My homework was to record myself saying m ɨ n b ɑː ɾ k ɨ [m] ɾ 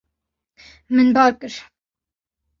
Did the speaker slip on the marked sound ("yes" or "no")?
yes